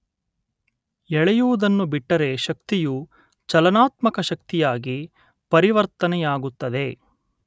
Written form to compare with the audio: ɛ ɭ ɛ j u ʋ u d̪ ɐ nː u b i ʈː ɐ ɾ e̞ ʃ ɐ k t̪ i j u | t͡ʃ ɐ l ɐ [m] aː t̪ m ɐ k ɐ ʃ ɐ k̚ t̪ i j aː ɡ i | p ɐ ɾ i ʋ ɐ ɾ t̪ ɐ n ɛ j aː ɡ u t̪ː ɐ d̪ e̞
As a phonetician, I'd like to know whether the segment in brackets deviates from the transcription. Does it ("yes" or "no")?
yes